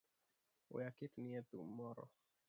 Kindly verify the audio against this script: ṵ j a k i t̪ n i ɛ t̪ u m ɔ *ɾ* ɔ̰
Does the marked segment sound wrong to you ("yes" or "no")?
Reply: no